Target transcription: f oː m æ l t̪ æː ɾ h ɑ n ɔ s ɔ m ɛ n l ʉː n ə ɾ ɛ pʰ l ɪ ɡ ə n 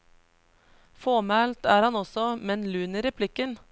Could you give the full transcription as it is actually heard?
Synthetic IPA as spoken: f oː m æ l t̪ æː ɾ h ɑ n ɔ s ɔ m ɛ n l ʉː n ə ɾ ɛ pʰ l ɪ k ə n